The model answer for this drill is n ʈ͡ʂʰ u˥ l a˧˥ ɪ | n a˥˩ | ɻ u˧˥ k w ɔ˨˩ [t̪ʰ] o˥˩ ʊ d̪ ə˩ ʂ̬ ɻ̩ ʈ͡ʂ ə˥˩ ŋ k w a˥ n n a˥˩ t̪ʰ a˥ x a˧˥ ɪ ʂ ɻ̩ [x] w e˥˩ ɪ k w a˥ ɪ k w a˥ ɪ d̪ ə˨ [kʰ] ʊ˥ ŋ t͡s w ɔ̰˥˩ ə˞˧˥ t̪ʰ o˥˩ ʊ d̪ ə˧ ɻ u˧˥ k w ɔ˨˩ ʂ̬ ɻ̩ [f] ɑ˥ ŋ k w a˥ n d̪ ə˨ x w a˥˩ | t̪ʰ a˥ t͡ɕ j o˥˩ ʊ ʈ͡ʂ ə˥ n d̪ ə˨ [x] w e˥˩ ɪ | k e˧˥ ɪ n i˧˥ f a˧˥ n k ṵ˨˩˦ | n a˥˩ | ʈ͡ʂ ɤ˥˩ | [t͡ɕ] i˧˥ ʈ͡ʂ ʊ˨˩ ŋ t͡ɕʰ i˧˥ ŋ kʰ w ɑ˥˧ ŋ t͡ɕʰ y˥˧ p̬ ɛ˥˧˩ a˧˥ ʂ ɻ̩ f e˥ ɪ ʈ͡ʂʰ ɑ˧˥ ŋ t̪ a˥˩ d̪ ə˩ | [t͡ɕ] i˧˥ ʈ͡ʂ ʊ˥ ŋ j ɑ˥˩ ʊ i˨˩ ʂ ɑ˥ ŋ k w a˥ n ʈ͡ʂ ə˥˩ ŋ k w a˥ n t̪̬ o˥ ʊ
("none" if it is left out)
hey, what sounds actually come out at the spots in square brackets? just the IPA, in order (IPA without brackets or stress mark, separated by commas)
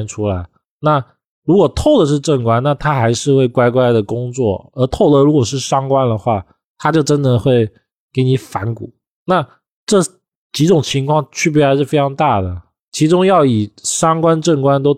t̪ʰ, x, k, ʂ, x, t͡ɕ, t͡ɕʰ